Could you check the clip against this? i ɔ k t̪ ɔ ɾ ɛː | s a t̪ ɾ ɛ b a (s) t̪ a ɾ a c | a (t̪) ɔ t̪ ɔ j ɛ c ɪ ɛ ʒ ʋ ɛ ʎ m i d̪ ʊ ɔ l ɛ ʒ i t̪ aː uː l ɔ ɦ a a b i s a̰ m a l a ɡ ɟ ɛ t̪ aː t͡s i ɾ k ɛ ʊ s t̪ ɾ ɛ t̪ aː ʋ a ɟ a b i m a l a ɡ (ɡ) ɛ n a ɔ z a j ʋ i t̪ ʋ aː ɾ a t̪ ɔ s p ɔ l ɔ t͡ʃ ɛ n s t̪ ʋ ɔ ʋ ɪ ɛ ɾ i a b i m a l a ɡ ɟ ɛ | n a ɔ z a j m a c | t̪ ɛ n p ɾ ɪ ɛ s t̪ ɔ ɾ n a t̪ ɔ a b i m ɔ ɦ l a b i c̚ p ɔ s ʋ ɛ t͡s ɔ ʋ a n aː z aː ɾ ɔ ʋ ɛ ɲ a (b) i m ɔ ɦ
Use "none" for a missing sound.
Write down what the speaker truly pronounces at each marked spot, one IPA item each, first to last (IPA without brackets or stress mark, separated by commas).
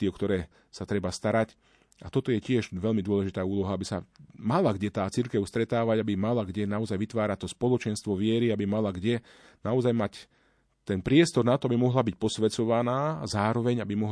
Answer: s, t̪, ɟ, b